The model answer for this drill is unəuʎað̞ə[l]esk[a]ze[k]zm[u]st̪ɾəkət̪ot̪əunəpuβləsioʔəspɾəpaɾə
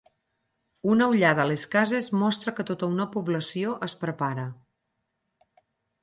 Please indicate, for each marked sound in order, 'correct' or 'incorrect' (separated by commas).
correct, correct, incorrect, incorrect